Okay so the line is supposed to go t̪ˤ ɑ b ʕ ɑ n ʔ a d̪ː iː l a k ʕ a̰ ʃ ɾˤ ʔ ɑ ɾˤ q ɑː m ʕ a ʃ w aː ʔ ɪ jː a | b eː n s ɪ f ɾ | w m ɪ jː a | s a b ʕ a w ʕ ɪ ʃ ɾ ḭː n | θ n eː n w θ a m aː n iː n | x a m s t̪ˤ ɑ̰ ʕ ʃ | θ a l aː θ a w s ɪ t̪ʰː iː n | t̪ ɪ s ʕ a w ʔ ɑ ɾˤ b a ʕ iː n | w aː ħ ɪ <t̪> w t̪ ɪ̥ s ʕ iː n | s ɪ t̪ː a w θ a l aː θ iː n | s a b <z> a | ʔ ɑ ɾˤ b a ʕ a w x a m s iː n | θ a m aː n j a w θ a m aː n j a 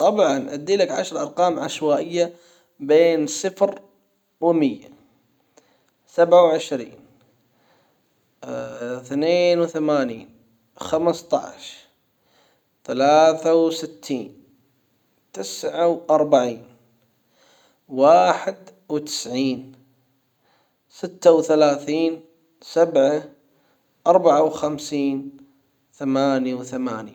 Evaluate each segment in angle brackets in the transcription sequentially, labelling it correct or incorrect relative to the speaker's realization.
incorrect: d̪, incorrect: ʕ

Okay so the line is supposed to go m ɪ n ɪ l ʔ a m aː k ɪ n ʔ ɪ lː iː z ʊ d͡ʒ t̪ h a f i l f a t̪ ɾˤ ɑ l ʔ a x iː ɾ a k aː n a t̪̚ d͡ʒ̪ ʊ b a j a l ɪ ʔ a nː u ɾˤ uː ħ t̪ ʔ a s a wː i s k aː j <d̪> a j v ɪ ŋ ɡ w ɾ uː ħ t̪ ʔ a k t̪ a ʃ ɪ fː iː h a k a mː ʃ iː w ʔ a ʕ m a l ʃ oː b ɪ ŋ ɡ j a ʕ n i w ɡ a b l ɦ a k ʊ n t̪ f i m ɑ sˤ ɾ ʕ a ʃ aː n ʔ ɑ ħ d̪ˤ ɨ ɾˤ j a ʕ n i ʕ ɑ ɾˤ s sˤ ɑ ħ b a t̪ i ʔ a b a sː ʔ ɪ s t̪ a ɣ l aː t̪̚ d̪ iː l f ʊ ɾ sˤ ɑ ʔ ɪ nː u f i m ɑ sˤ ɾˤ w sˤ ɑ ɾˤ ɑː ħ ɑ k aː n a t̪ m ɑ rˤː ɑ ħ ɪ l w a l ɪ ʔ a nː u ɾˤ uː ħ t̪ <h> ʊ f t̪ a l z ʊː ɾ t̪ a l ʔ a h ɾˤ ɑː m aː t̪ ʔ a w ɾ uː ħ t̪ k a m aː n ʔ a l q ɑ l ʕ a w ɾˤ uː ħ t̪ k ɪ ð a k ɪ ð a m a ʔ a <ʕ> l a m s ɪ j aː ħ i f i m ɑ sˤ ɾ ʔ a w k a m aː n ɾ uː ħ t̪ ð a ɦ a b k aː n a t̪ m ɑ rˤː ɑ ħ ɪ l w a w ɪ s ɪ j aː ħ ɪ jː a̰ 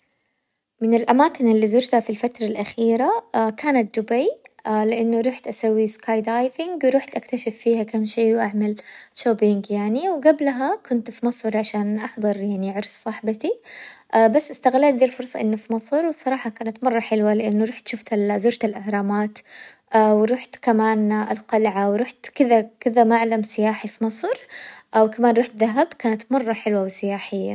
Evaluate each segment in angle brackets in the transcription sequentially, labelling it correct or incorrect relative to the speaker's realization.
correct, incorrect: ʃ, correct

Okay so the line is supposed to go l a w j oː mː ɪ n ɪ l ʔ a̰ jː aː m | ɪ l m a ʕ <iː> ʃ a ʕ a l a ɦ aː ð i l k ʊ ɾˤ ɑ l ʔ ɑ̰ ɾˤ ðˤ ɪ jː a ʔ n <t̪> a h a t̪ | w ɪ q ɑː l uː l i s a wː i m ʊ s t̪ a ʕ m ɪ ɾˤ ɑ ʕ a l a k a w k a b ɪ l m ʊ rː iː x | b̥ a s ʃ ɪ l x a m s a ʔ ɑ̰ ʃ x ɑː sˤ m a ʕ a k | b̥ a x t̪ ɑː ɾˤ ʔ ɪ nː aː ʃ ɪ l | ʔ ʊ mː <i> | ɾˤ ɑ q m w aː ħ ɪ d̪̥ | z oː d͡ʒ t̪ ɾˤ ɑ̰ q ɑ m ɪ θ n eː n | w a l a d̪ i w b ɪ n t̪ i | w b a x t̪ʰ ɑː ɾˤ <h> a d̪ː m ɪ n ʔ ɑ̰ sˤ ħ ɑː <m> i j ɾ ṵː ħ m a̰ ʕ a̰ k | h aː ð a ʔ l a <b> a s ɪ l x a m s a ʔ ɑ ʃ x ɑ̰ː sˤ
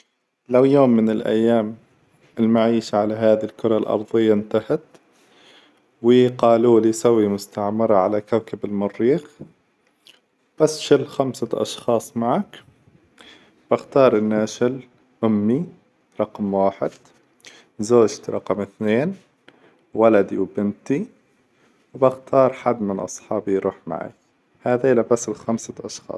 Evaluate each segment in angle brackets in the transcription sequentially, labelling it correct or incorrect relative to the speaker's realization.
correct, correct, correct, incorrect: ħ, incorrect: b, correct

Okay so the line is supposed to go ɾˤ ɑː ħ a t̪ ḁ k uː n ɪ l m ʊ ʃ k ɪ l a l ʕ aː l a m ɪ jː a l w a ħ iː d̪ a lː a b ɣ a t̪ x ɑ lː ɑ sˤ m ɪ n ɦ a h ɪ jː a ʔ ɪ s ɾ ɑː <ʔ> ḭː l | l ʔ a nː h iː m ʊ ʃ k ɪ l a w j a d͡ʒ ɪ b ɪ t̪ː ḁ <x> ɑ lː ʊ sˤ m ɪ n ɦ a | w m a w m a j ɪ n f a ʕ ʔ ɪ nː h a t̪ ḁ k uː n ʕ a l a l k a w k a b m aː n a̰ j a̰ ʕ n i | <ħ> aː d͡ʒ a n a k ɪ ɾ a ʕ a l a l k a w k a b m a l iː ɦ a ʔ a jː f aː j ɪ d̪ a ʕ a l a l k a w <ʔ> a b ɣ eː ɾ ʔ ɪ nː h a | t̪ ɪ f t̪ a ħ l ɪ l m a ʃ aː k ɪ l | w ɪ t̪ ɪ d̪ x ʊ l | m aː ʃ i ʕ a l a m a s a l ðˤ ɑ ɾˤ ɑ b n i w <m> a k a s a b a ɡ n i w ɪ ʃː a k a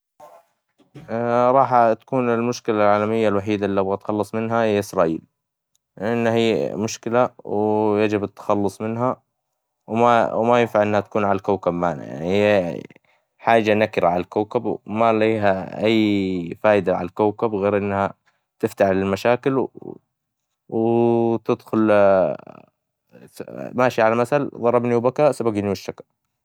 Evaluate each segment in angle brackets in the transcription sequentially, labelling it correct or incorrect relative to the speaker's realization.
correct, correct, correct, incorrect: k, incorrect: b

